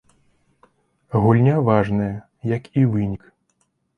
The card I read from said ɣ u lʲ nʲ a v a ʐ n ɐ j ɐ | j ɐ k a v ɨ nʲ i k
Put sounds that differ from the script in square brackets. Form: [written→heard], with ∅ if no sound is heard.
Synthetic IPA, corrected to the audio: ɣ u lʲ nʲ a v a ʐ n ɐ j ɐ | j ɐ k [a→i] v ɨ nʲ i k